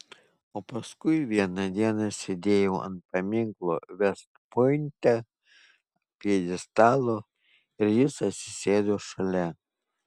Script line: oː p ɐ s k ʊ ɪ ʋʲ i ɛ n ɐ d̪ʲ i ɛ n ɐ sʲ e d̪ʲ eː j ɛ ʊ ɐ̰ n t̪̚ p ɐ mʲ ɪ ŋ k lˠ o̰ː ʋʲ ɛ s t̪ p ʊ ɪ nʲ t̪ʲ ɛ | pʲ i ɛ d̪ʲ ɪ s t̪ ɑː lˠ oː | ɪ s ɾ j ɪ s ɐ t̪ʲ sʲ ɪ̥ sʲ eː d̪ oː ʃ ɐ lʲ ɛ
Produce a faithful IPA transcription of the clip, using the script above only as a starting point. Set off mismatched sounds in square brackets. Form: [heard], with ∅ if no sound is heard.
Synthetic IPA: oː p ɐ s k ʊ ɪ ʋʲ i ɛ n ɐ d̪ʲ i ɛ n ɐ sʲ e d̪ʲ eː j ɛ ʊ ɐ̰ n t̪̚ p ɐ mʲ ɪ ŋ k lˠ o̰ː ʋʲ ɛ s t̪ p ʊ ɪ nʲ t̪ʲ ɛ | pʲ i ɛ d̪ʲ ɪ s t̪ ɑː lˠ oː | ɪ [∅] ɾ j ɪ s ɐ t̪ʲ sʲ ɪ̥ sʲ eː d̪ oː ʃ ɐ lʲ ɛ

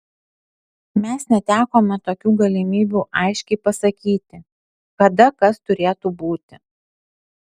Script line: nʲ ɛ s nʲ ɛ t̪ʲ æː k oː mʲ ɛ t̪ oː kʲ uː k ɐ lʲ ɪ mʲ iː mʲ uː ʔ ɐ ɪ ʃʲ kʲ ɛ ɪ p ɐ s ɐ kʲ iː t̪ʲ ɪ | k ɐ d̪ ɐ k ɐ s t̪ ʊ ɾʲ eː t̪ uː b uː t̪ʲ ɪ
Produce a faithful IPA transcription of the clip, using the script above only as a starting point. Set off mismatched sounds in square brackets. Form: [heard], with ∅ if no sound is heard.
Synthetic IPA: [mʲ] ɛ s nʲ ɛ t̪ʲ æː k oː mʲ ɛ t̪ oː kʲ uː [ɡ] ɐ lʲ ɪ mʲ iː [bʲ] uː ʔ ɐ ɪ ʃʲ kʲ ɛ ɪ p ɐ s ɐ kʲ iː t̪ʲ ɪ | k ɐ d̪ ɐ k ɐ s t̪ ʊ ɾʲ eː t̪ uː b uː t̪ʲ ɪ

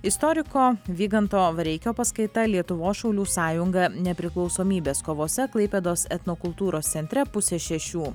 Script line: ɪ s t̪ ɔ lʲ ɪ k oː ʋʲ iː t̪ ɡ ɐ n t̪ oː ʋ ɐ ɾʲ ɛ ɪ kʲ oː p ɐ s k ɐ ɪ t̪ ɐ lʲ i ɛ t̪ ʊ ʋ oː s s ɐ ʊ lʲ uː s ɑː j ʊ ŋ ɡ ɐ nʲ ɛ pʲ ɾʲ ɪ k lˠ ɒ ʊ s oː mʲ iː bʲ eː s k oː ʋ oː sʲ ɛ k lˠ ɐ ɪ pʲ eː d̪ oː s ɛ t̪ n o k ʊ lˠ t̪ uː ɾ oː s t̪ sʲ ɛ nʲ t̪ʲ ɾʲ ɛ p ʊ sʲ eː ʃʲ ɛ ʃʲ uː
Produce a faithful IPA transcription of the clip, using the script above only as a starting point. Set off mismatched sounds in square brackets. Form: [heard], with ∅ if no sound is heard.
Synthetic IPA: ɪ s t̪ ɔ [ɾʲ] ɪ k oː ʋʲ iː [∅] ɡ ɐ n t̪ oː ʋ ɐ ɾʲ ɛ ɪ kʲ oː p ɐ s k ɐ ɪ t̪ ɐ lʲ i ɛ t̪ ʊ ʋ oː s [ʃ] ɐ ʊ lʲ uː s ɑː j ʊ ŋ ɡ ɐ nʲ ɛ pʲ ɾʲ ɪ k lˠ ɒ ʊ s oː mʲ iː bʲ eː s k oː ʋ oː sʲ ɛ k lˠ ɐ ɪ pʲ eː d̪ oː s ɛ t̪ n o k ʊ lˠ t̪ uː ɾ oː s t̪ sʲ ɛ nʲ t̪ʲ ɾʲ ɛ p ʊ sʲ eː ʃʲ ɛ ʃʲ uː

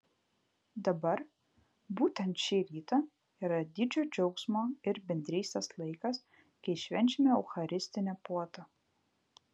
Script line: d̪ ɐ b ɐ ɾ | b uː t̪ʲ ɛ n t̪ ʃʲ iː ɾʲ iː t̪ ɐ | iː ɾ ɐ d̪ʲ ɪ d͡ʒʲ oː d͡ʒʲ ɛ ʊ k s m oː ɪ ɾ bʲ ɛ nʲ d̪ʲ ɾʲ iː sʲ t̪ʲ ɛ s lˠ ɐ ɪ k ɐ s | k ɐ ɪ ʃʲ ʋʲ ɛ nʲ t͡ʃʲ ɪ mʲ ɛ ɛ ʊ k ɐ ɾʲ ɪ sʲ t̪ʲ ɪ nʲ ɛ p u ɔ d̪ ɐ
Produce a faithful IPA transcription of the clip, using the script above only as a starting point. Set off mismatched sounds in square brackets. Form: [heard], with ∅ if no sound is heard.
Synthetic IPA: d̪ ɐ b ɐ ɾ | b uː t̪ʲ ɛ n t̪ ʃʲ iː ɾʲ iː t̪ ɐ | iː ɾ ɐ d̪ʲ ɪ d͡ʒʲ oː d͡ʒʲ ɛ ʊ k s m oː ɪ ɾ bʲ ɛ nʲ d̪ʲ ɾʲ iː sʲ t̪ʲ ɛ s lˠ ɐ ɪ k ɐ s | k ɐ ɪ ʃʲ ʋʲ ɛ nʲ t͡ʃʲ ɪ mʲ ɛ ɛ ʊ [x] ɐ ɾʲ ɪ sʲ t̪ʲ ɪ nʲ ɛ p u ɔ [t̪] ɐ

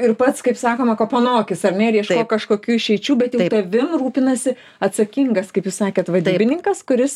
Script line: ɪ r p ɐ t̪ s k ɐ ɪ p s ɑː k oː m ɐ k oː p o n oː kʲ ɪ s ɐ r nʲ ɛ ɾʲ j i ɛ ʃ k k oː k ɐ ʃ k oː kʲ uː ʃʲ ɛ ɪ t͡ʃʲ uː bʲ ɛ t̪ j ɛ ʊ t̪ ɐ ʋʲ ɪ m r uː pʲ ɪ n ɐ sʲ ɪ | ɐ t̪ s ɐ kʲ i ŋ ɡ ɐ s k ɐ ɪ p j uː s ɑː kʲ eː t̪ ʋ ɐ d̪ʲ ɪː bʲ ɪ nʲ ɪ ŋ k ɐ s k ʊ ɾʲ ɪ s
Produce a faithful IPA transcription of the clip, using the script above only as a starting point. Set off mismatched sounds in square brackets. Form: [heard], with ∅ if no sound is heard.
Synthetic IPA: ɪ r p ɐ t̪ s k ɐ ɪ p s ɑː k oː m ɐ k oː p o n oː kʲ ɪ s ɐ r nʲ ɛ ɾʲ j i ɛ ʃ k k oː k ɐ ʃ k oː kʲ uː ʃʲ ɛ ɪ t͡ʃʲ uː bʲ ɛ t̪ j ɛ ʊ t̪ ɐ ʋʲ ɪ m r uː pʲ ɪ n ɐ sʲ ɪ | ɐ t̪ s ɐ kʲ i ŋ ɡ ɐ s k ɐ ɪ p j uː s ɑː kʲ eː t̪ ʋ ɐ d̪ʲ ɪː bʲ ɪ nʲ ɪ ŋ k ɐ s k ʊ ɾʲ ɪ s

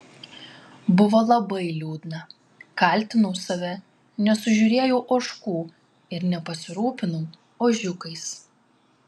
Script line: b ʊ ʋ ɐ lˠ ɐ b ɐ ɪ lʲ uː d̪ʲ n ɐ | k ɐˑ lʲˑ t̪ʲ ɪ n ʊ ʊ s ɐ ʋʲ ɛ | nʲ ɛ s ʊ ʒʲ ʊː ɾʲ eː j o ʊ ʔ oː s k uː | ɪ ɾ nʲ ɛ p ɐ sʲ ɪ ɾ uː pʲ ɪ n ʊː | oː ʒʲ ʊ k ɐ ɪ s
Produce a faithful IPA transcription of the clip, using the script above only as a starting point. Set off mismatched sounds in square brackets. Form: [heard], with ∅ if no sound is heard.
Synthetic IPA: b ʊ ʋ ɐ lˠ ɐ b ɐ ɪ lʲ uː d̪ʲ n ɐ | k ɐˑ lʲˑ t̪ʲ ɪ n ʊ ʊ s ɐ ʋʲ ɛ | nʲ ɛ s ʊ ʒʲ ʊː ɾʲ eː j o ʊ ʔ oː [ʃ] k uː | ɪ ɾ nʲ ɛ p ɐ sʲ ɪ ɾ uː pʲ ɪ n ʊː | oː ʒʲ ʊ k ɐ ɪ s

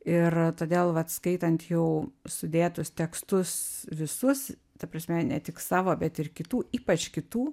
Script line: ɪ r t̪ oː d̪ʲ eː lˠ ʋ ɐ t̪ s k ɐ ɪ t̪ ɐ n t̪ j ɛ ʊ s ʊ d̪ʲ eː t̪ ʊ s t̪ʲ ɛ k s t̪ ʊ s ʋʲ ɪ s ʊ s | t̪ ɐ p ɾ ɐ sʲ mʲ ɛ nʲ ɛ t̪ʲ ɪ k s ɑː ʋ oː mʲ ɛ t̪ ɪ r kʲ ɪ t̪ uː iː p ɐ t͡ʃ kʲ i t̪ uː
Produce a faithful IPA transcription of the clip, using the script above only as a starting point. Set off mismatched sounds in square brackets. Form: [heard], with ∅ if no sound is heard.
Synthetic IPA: ɪ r t̪ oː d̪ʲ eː lˠ ʋ ɐ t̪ s k ɐ ɪ t̪ ɐ n t̪ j ɛ ʊ s ʊ d̪ʲ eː t̪ ʊ s t̪ʲ ɛ k s t̪ ʊ s ʋʲ ɪ s ʊ s | t̪ ɐ p ɾ ɐ sʲ mʲ ɛ nʲ ɛ t̪ʲ ɪ k s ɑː ʋ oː [bʲ] ɛ t̪ ɪ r kʲ ɪ t̪ uː iː p ɐ t͡ʃ kʲ [ɪ] t̪ uː

